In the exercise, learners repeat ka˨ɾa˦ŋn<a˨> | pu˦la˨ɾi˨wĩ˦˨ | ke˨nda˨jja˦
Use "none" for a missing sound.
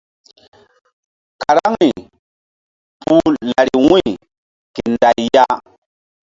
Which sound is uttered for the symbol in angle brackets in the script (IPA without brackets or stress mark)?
i˨